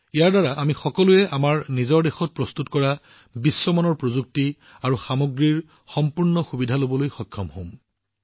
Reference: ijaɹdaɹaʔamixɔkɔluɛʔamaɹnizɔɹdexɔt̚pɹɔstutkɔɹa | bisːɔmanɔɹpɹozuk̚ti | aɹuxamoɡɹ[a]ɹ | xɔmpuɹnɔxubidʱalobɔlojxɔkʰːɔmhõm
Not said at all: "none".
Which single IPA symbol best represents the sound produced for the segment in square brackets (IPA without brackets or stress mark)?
i